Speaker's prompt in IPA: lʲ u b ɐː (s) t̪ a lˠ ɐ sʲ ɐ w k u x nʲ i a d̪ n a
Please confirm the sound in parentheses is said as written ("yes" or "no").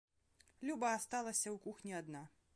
yes